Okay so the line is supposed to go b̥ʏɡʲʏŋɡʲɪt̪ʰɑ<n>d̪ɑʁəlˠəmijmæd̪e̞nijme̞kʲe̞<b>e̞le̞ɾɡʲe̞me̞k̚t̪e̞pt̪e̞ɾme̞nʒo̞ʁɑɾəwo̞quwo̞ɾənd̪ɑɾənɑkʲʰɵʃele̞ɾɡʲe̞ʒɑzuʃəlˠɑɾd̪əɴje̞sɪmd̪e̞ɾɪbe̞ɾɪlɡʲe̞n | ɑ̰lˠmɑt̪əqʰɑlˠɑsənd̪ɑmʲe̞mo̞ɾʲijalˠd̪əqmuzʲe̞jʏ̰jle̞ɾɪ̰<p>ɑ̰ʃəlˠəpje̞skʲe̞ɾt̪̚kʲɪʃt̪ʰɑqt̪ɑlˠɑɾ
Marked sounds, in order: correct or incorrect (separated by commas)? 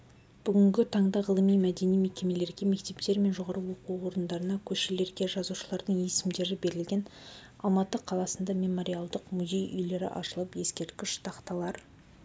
incorrect, incorrect, incorrect